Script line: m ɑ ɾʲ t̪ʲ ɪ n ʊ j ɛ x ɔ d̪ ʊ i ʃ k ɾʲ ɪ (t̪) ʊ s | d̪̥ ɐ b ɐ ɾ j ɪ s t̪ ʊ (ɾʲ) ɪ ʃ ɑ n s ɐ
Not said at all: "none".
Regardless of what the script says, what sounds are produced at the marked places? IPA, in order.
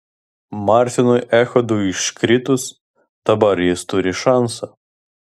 t̪, ɾʲ

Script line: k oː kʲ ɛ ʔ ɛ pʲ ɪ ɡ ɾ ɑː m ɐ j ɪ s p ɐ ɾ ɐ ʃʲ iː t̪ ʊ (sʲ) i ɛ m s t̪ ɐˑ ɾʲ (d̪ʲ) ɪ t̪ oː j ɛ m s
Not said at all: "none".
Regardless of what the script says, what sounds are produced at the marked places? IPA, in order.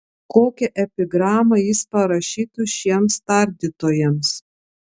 ʃʲ, d̪ʲ

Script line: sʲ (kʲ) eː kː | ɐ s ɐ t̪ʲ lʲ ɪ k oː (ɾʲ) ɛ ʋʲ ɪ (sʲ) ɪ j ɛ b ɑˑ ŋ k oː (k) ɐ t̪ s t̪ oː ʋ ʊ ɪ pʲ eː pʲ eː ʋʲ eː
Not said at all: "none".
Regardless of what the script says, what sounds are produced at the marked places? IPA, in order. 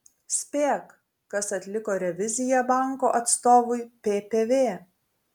pʲ, ɾʲ, zʲ, ʔ

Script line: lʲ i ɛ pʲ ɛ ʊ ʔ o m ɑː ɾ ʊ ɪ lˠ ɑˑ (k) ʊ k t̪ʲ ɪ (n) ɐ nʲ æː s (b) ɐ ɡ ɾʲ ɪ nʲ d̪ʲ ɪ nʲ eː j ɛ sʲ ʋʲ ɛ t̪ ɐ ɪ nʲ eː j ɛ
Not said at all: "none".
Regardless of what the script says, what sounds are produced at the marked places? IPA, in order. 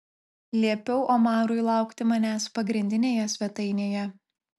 none, m, p

